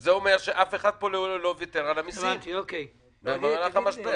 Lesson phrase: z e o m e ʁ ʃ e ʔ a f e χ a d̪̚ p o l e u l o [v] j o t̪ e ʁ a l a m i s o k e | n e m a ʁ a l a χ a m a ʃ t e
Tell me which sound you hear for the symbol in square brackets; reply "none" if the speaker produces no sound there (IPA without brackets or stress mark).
v